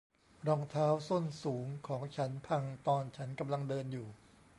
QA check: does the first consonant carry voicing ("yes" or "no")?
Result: yes